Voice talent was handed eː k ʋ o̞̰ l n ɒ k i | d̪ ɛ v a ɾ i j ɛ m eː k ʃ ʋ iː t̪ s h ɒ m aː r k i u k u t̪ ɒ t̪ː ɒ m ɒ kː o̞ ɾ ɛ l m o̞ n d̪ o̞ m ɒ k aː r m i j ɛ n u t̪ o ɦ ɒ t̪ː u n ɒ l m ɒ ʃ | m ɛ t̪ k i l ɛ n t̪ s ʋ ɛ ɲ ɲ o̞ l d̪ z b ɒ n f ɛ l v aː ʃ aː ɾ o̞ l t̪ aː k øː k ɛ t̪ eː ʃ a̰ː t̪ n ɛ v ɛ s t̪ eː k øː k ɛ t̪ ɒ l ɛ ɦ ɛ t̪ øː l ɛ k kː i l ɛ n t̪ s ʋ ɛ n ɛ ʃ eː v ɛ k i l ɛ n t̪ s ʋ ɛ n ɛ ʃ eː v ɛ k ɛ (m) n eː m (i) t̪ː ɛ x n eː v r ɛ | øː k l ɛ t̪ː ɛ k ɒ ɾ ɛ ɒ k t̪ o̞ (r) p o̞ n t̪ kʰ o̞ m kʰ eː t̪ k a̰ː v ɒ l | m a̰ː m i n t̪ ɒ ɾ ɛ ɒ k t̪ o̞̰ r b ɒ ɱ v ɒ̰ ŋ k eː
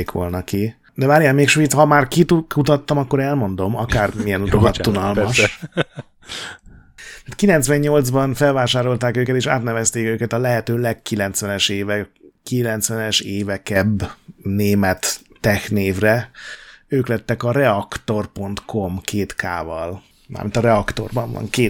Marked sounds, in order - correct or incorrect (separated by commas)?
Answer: incorrect, incorrect, correct